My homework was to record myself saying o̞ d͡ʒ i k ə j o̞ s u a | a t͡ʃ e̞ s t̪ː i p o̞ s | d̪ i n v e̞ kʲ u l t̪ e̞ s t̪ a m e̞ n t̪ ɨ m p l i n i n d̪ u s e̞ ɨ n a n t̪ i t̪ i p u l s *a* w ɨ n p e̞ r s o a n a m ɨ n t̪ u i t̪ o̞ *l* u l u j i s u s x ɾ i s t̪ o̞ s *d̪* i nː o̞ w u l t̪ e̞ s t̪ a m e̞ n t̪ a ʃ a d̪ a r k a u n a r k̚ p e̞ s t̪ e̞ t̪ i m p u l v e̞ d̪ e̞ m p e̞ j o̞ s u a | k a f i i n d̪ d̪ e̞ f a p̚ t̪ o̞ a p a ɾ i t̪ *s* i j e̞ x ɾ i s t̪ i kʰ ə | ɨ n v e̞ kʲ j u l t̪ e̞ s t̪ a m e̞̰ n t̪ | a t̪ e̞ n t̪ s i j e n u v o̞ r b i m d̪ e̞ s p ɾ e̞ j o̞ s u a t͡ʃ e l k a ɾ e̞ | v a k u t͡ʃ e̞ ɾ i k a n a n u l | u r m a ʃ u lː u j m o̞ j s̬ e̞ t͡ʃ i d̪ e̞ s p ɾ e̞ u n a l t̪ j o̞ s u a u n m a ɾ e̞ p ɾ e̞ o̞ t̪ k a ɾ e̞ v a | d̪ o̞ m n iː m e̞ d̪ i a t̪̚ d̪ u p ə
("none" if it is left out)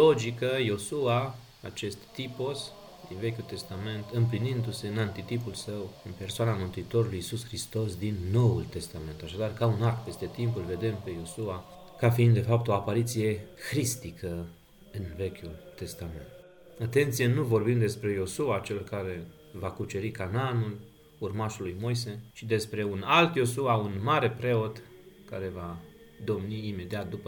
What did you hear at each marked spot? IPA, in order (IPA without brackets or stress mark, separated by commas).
ə, ɾ, d̪, s